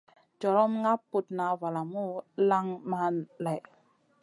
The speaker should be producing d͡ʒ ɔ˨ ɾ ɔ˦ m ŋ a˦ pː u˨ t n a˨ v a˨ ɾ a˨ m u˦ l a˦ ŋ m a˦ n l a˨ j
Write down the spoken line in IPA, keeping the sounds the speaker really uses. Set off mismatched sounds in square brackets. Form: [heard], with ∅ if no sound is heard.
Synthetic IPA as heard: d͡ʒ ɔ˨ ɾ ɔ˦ m ŋ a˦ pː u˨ t n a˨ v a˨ [l] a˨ m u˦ l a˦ ŋ m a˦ n l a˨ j